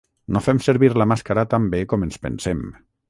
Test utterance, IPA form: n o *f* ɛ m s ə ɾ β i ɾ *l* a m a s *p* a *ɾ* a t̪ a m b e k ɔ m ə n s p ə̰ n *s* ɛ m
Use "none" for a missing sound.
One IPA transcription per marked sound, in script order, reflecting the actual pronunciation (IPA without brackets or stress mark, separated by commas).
f, l, k, ɾ, s